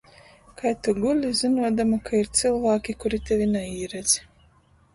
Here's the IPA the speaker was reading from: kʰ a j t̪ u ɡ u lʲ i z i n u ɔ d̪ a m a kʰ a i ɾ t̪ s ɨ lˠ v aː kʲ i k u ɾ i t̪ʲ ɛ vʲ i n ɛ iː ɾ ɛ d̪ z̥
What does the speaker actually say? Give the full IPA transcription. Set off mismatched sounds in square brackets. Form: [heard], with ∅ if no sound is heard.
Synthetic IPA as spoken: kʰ a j t̪ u ɡ u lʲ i z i n u ɔ d̪ a m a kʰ a i ɾ t̪ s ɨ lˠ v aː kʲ i k u ɾ i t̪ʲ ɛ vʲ i n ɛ iː ɾ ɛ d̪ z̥